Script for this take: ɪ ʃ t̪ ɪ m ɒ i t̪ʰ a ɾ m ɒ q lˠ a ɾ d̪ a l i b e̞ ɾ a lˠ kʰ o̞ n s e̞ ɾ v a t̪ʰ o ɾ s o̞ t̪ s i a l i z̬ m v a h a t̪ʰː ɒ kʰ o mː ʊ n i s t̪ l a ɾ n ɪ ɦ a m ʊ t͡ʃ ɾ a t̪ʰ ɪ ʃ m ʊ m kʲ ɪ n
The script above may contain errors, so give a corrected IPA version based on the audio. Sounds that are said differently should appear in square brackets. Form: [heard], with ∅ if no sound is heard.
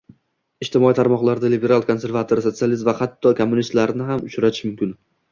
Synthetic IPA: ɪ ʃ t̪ ɪ m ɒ i t̪ʰ a ɾ m ɒ q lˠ a ɾ d̪ a l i b e̞ ɾ a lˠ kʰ o̞ n s e̞ ɾ v a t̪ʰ o ɾ s o̞ t̪ s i a l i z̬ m v a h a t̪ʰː ɒ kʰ o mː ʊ n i s t̪ l a ɾ n ɪ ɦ a m ʊ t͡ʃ ɾ a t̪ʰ ɪ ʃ m ʊ m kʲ ɪ n